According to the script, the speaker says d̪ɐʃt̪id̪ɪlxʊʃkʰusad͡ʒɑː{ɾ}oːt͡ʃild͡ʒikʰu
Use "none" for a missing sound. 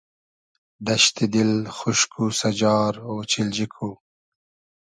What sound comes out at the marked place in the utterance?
ɾ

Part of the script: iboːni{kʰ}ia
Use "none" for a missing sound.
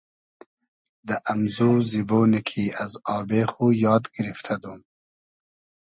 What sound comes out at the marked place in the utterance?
kʰ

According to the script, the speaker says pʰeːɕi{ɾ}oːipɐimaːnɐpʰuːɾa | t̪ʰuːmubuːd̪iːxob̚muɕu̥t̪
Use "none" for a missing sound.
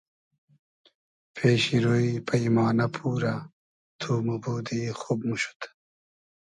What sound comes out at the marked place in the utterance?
ɾ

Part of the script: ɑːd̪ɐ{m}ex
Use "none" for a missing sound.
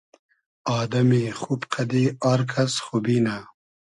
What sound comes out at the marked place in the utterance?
m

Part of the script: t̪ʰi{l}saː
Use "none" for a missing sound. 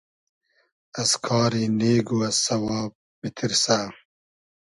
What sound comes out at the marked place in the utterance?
ɾ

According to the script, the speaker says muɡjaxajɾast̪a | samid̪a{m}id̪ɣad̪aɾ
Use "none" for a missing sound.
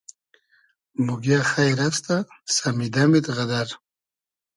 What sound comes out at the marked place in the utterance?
m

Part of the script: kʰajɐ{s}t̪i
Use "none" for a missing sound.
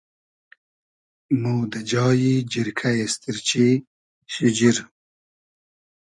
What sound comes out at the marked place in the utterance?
s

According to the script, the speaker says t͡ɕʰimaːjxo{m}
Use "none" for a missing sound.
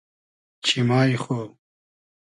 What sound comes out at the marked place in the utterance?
none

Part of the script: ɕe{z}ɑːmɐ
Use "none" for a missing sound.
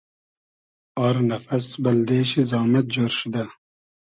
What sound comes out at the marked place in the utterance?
z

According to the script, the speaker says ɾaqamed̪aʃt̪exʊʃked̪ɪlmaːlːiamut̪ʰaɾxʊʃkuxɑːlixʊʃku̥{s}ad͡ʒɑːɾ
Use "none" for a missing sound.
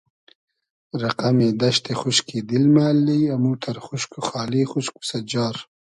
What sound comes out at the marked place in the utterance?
s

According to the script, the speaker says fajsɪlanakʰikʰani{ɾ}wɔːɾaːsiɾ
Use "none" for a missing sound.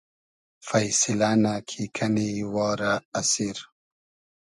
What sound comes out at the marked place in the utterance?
none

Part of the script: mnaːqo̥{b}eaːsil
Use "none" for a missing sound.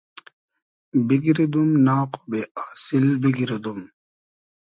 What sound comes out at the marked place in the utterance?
b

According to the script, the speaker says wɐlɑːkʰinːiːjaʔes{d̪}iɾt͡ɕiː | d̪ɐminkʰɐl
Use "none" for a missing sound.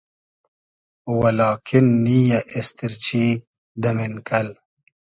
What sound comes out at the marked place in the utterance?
t̪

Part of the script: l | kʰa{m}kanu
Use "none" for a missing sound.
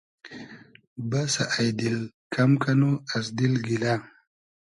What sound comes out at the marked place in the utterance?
m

